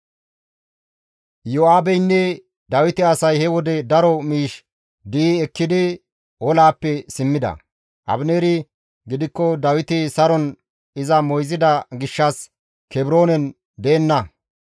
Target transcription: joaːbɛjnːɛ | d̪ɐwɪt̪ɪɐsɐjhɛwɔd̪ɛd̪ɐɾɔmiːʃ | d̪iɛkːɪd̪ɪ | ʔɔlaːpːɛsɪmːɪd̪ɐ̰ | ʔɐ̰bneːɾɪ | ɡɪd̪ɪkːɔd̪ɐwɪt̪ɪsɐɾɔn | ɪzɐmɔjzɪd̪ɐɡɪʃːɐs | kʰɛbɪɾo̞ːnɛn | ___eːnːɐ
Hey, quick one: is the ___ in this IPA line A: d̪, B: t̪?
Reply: A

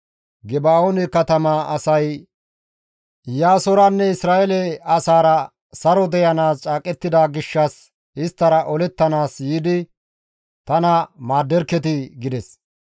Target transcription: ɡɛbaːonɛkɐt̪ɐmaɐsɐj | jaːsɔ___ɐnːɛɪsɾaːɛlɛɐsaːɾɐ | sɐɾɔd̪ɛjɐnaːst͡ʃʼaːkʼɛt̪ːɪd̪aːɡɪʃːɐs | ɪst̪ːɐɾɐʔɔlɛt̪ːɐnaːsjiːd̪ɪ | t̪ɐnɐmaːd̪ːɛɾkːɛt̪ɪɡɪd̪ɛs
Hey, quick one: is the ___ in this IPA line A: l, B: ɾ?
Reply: B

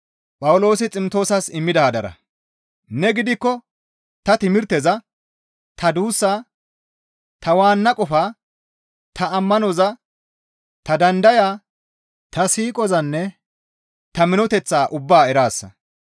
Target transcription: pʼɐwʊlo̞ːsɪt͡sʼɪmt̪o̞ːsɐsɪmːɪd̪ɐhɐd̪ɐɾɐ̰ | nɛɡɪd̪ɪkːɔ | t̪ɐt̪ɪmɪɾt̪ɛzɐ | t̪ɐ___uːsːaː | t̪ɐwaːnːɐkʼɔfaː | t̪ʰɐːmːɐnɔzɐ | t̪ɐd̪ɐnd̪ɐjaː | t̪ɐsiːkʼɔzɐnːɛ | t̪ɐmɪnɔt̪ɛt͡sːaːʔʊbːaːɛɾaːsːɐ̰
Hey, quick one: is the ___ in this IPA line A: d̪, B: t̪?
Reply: A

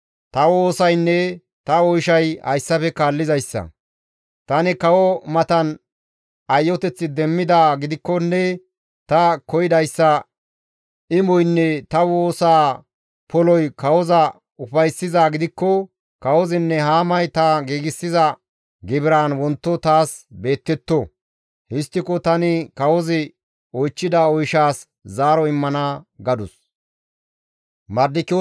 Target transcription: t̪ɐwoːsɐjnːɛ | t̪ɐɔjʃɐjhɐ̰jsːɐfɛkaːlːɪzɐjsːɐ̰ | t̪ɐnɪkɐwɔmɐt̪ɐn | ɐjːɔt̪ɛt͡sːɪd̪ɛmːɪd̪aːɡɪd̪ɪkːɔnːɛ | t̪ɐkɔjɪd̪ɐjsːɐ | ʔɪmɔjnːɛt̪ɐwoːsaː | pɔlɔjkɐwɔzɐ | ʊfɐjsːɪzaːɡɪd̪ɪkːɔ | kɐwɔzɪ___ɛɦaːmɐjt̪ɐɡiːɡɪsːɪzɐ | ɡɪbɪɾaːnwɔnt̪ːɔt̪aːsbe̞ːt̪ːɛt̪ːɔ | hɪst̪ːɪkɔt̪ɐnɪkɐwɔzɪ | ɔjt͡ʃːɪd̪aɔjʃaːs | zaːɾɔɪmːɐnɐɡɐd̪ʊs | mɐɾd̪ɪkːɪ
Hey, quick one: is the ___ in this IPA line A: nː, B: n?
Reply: A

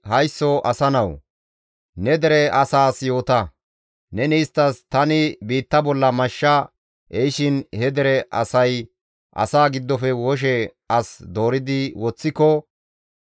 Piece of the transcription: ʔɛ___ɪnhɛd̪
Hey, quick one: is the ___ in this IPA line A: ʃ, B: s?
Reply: A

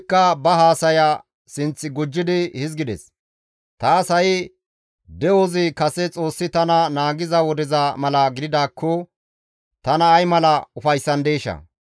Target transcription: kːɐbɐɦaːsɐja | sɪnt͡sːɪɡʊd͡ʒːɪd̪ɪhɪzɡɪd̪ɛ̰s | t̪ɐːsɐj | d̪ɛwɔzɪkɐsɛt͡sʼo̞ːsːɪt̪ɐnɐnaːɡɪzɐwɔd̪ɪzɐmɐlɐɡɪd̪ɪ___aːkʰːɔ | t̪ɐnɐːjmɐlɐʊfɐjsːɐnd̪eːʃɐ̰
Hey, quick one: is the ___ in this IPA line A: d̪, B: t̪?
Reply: A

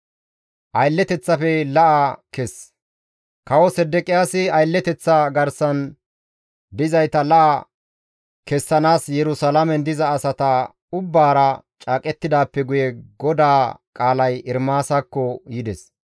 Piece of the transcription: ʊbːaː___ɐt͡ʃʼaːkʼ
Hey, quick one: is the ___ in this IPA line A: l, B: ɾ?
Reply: B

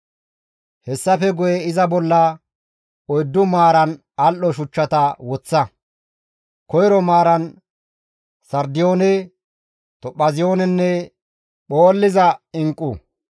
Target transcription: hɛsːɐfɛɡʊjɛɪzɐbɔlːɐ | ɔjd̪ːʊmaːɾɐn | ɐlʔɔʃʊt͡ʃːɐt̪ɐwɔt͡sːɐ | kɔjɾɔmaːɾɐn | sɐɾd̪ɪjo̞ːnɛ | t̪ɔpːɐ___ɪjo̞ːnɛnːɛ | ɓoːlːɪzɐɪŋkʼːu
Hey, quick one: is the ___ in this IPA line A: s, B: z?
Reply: B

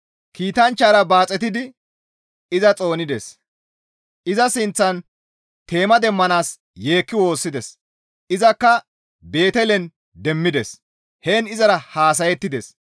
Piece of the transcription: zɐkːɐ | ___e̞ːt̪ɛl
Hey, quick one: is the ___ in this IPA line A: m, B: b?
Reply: B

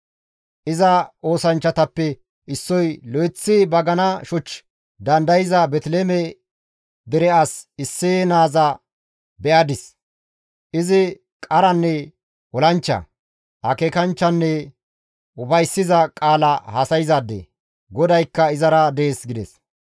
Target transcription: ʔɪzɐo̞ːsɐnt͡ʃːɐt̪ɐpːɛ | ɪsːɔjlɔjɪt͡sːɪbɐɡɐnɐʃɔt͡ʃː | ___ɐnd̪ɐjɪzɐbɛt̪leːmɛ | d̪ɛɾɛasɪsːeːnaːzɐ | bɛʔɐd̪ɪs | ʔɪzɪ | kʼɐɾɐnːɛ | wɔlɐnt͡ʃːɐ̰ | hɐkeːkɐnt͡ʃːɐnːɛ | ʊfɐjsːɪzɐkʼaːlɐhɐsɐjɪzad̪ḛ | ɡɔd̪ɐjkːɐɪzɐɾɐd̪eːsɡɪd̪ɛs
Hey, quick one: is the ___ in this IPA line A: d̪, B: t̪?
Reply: A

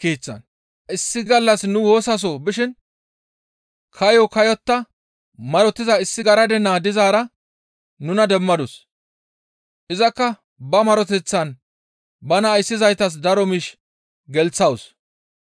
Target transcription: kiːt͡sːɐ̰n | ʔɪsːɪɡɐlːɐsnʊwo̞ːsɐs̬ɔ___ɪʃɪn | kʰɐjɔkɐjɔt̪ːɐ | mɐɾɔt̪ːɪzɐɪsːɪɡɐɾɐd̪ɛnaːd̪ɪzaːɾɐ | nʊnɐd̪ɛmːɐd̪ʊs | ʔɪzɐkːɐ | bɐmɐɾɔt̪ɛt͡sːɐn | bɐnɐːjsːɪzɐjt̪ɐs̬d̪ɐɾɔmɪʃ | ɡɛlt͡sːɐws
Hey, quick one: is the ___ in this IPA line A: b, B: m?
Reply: A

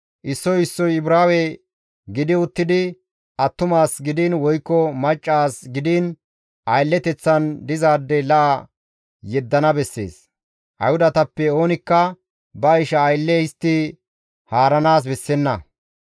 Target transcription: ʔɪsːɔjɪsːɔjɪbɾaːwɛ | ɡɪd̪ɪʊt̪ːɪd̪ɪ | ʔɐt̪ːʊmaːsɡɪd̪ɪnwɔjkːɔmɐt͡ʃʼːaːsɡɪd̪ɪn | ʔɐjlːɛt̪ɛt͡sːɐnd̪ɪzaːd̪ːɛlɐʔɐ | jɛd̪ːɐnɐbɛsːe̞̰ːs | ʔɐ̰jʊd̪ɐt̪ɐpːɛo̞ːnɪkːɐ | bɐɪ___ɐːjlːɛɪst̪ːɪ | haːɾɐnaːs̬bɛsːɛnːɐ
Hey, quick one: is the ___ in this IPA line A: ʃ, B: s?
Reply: A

